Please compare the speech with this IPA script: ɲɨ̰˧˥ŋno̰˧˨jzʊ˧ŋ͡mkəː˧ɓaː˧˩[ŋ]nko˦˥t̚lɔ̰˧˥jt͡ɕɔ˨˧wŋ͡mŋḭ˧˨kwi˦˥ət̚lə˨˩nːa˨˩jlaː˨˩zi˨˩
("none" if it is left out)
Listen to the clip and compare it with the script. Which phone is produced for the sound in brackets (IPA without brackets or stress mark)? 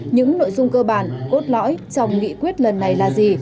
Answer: none